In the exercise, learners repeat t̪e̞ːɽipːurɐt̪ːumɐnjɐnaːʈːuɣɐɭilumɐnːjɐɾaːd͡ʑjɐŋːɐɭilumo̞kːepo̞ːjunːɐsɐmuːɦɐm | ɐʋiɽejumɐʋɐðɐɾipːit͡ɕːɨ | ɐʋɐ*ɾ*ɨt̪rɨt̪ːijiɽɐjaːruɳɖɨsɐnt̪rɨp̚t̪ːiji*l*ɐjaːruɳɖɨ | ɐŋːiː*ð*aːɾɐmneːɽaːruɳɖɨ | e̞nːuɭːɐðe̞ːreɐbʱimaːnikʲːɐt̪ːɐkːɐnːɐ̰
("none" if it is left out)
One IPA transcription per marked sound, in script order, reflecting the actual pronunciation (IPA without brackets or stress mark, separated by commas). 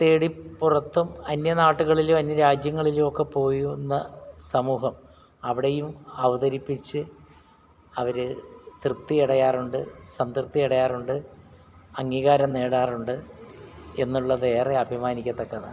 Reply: ɾ, ɽ, ɣ